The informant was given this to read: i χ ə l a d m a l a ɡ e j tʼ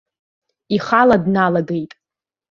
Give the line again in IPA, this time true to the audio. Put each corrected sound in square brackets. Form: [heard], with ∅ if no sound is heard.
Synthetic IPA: i χ [a] l a d [n] a l a ɡ e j tʼ